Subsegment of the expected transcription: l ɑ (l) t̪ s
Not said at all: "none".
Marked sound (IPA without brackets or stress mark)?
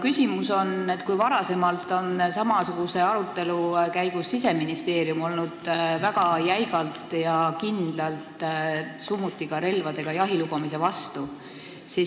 l